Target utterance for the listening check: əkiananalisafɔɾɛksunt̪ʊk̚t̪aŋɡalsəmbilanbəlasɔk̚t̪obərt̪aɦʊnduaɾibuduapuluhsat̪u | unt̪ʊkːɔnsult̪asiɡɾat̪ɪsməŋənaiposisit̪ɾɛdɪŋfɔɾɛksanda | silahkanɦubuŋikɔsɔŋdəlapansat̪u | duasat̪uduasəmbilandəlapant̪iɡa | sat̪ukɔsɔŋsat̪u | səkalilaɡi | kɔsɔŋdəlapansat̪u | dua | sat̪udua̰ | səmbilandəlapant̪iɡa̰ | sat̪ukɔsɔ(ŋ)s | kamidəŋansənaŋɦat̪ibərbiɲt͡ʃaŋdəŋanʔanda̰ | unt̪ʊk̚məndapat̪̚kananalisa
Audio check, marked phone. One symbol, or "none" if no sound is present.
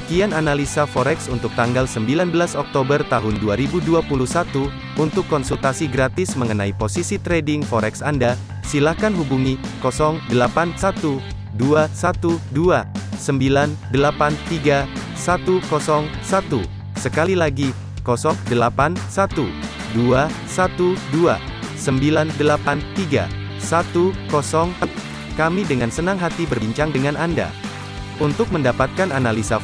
ŋ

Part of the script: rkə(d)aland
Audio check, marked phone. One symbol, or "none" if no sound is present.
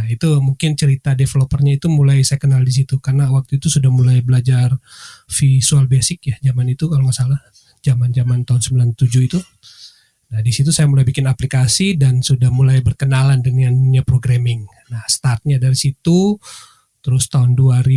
n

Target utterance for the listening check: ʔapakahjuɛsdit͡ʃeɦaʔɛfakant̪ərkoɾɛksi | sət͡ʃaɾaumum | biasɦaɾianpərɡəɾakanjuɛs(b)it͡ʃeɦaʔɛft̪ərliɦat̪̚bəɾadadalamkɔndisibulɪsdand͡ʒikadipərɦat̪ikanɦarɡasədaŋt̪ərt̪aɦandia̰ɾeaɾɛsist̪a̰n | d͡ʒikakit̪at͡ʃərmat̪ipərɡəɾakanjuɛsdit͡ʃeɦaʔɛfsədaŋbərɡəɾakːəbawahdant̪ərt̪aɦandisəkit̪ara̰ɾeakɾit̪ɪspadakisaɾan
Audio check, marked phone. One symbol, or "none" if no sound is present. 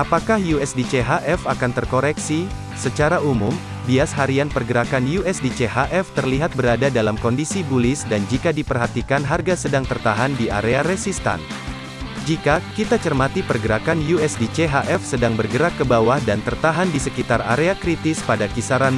d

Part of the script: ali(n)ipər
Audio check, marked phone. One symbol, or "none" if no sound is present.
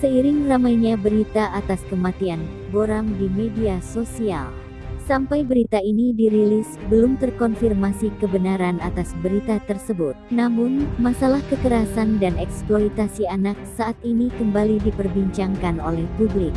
d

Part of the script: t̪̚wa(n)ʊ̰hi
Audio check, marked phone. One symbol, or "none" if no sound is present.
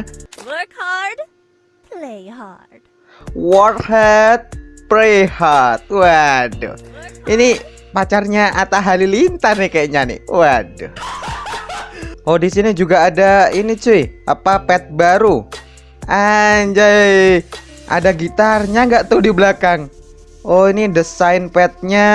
d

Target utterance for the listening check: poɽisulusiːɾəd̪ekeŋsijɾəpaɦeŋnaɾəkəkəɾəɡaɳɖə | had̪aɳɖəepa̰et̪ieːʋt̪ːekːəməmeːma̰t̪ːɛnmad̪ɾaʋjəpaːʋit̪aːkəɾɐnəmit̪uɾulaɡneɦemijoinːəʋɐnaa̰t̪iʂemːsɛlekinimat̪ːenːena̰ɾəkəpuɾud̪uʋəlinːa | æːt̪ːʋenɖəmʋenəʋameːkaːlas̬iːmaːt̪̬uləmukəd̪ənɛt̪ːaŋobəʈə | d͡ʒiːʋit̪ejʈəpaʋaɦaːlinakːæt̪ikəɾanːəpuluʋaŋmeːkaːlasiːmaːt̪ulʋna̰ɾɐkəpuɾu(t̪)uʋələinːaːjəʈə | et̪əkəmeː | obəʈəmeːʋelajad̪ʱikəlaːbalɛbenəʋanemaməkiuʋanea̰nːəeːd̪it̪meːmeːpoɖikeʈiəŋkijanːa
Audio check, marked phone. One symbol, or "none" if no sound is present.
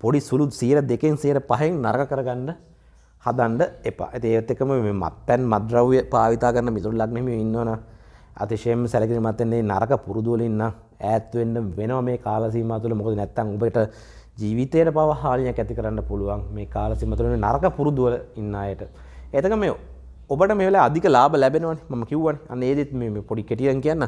d̪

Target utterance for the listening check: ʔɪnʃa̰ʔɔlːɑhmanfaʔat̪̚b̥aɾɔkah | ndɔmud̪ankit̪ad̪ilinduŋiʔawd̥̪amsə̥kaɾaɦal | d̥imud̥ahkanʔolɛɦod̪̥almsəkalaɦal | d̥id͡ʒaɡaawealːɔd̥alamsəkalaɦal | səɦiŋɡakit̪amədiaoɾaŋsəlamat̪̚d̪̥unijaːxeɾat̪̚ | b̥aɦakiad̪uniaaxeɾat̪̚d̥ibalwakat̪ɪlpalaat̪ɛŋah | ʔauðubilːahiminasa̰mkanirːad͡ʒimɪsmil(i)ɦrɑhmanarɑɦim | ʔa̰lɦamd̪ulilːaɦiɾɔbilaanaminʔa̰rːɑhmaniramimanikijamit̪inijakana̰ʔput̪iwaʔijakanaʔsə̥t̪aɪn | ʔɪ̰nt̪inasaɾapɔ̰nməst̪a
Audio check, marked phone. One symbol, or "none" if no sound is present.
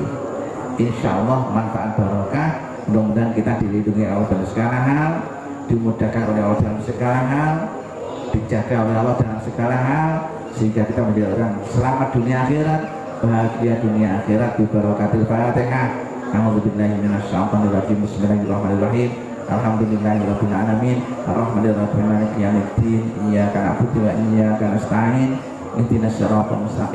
a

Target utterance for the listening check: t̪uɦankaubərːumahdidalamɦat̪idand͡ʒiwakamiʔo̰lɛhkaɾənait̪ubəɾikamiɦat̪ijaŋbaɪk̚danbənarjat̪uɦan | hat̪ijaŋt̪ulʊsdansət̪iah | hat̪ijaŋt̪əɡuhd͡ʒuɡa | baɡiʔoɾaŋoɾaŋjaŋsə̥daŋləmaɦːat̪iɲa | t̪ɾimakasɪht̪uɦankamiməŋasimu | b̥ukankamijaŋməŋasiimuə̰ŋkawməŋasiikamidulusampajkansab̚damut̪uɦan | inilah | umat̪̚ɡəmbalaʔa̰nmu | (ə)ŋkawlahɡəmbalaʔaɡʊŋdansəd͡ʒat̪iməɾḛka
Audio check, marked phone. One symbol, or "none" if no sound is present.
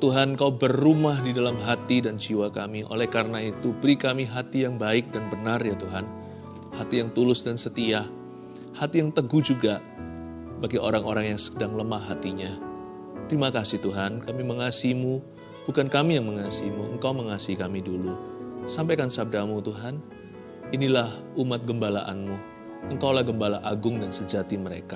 ə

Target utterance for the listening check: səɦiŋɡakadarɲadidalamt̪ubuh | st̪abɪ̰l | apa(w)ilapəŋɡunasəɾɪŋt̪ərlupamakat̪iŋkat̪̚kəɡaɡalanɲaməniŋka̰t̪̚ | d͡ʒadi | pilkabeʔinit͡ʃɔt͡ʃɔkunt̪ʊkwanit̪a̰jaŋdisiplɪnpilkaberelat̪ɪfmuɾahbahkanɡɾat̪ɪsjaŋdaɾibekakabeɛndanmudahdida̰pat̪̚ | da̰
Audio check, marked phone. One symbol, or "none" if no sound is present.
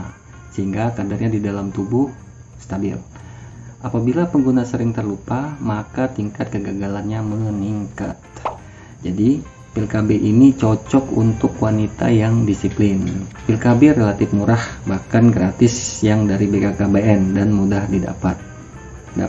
b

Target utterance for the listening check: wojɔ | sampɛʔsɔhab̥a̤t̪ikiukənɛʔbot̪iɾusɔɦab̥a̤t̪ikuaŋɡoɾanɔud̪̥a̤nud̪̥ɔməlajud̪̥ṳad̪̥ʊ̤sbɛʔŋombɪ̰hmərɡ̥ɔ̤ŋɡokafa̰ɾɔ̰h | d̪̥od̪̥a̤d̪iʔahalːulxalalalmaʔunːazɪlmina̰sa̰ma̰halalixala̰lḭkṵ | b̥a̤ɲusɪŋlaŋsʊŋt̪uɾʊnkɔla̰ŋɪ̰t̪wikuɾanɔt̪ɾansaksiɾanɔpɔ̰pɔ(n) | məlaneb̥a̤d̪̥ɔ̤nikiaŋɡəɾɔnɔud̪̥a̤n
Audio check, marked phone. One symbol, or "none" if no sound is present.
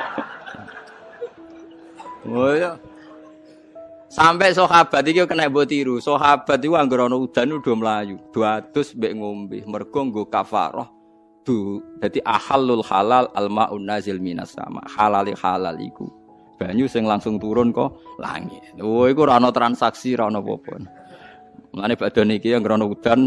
n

